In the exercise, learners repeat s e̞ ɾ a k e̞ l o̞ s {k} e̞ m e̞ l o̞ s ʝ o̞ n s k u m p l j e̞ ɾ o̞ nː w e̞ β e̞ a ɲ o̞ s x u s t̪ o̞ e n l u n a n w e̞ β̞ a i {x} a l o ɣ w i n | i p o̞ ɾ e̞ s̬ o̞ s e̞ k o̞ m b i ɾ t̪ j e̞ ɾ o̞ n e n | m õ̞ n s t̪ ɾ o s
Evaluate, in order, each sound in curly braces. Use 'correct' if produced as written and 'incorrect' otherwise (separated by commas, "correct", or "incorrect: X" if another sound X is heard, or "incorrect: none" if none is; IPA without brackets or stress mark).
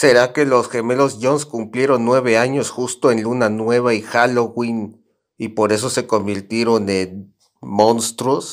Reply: incorrect: x, correct